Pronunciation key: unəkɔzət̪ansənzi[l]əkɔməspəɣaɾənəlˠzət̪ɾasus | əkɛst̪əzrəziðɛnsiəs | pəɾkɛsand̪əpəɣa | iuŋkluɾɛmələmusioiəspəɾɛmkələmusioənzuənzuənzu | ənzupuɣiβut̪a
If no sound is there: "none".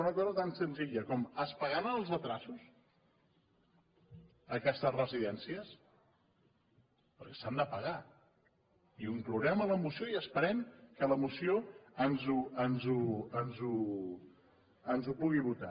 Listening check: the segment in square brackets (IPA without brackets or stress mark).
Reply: ʎ